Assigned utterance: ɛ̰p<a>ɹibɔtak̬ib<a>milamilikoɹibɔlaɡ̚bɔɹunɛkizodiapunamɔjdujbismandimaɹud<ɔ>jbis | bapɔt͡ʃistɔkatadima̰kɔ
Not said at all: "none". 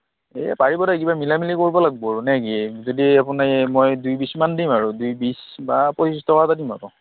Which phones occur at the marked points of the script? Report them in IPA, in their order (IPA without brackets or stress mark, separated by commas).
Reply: a, a, u